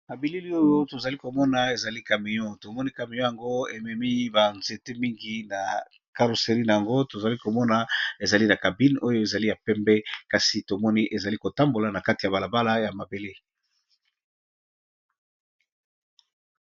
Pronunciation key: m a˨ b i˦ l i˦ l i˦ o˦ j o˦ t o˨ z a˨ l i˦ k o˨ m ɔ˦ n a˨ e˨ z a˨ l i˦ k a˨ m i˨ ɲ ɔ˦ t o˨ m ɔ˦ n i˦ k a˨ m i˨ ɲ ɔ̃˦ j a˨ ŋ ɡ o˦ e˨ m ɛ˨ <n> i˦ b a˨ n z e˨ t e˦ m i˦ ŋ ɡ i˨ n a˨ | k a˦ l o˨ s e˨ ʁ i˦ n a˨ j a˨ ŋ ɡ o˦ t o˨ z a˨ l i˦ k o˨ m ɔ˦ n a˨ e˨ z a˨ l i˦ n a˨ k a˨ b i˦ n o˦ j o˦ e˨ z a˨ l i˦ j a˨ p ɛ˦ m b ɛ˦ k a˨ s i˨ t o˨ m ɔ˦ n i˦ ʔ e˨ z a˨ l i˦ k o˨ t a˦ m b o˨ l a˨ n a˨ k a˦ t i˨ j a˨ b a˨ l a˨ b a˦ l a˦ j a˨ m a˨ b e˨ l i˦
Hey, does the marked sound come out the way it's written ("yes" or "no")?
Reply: no